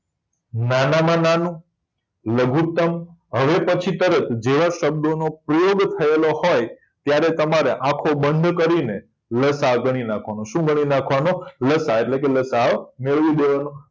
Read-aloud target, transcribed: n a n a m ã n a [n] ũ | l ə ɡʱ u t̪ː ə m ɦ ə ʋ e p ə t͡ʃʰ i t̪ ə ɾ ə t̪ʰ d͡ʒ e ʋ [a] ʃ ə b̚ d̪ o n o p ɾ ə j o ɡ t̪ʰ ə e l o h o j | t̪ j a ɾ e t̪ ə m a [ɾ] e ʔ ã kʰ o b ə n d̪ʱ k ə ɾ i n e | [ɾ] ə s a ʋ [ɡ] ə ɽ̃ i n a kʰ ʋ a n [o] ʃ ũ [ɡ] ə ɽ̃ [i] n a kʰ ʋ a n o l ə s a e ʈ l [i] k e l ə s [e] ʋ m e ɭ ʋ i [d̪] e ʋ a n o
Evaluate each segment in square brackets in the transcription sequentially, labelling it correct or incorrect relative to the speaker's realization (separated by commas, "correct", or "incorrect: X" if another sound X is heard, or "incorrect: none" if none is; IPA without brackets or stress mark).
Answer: correct, correct, correct, incorrect: l, correct, correct, correct, correct, incorrect: e, incorrect: a, correct